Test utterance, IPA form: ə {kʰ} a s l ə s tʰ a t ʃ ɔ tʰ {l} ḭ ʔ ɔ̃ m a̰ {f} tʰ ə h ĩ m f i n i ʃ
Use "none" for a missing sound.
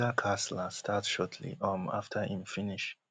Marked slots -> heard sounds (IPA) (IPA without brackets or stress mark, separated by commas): kʰ, l, f